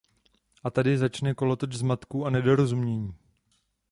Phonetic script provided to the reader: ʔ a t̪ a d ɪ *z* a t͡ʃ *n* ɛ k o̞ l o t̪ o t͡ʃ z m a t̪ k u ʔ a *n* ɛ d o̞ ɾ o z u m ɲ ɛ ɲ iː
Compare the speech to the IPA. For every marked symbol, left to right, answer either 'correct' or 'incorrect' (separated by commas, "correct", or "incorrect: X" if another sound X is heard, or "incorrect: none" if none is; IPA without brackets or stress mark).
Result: correct, correct, correct